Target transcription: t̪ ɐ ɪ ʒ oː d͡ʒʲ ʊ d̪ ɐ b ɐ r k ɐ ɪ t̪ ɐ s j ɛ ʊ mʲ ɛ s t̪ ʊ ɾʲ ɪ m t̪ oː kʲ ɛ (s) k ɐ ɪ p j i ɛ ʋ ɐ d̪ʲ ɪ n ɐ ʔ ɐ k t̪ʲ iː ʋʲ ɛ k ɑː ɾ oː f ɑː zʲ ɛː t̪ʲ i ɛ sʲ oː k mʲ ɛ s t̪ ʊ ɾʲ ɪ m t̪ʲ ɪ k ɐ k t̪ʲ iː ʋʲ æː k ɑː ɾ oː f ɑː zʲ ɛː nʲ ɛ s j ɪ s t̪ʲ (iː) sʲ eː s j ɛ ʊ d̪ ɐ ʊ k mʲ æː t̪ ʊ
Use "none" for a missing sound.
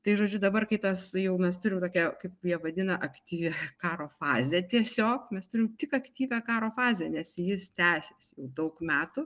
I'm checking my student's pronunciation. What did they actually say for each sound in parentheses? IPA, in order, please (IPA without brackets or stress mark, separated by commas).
none, æː